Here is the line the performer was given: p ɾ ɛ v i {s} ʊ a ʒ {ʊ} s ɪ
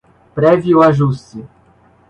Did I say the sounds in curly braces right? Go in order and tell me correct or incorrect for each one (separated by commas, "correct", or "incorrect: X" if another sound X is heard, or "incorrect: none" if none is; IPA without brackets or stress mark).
incorrect: none, incorrect: u